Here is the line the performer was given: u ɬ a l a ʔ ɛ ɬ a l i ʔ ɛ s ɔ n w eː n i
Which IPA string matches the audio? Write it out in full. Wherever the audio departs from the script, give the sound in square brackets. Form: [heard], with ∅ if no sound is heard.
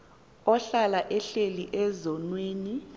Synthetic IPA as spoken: [ɔ] ɬ a l a ʔ ɛ ɬ [e] l i ʔ ɛ [z] ɔ n w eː n i